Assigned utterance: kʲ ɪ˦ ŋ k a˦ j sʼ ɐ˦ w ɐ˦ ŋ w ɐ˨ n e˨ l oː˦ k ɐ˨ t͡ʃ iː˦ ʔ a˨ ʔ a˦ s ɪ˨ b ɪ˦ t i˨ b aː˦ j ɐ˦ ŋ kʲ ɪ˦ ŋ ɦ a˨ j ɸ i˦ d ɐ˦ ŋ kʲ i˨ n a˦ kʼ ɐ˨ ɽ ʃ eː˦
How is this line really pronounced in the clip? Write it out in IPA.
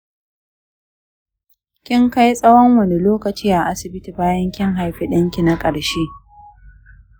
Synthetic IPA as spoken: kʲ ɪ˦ ŋ k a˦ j sʼ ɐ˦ w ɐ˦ ŋ w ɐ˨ n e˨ l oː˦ k ɐ˨ t͡ʃ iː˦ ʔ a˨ ʔ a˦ s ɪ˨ b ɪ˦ t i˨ b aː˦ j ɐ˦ ŋ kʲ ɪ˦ ŋ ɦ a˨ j ɸ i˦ ɗ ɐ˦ ŋ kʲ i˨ n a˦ kʼ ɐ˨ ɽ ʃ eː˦